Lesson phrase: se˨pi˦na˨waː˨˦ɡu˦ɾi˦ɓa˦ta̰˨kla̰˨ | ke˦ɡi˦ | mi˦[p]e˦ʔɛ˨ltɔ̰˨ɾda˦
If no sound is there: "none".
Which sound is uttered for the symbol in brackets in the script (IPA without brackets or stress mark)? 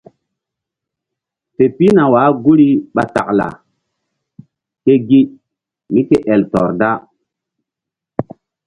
k